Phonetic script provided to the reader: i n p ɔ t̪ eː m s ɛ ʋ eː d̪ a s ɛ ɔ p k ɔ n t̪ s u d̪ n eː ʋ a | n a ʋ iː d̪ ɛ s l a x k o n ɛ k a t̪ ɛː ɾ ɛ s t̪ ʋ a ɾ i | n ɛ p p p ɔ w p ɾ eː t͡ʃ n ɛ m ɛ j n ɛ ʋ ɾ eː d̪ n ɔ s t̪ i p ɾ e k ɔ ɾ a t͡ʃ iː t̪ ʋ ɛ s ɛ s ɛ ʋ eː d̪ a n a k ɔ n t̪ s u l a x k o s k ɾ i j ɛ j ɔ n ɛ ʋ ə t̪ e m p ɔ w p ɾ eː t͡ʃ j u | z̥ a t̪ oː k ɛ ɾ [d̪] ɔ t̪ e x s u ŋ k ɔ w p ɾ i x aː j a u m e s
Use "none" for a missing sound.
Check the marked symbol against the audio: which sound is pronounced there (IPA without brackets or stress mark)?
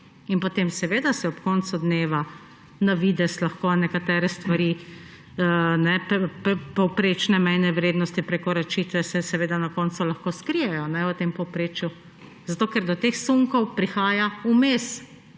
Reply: d̪